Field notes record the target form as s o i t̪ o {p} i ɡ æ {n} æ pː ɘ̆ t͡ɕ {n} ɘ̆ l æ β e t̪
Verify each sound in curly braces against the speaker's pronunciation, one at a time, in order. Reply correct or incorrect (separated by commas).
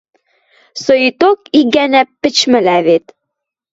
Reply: incorrect, correct, incorrect